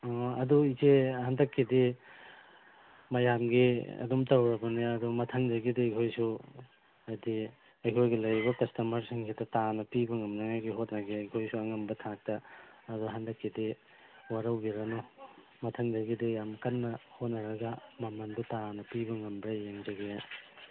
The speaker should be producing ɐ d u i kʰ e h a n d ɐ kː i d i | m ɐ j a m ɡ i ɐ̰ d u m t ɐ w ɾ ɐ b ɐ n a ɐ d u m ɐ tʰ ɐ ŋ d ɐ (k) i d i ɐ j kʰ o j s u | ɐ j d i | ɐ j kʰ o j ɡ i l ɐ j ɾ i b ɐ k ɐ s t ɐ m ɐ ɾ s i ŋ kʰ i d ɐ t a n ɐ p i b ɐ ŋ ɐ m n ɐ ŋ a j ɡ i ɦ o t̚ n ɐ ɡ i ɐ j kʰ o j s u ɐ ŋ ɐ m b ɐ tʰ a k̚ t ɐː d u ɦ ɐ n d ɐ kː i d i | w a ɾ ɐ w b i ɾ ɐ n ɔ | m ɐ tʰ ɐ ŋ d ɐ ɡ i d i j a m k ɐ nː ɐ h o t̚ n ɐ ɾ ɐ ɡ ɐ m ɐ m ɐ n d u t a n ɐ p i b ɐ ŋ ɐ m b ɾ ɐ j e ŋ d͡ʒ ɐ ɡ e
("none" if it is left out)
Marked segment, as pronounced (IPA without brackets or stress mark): ɡ